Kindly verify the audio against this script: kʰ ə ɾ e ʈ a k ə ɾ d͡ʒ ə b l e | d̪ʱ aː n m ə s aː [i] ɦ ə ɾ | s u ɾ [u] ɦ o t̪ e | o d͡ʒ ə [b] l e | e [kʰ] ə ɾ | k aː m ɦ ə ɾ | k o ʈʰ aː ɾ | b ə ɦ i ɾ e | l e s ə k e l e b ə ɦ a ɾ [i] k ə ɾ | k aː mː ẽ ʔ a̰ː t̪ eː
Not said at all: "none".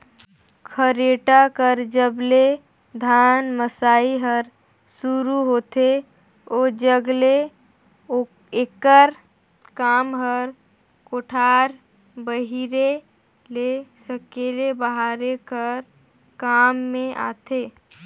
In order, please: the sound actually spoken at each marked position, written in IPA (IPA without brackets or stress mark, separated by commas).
i, u, ɡ, k, e